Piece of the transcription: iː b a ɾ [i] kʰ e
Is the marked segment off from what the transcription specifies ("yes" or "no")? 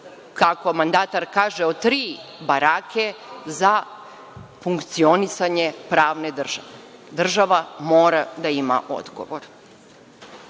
yes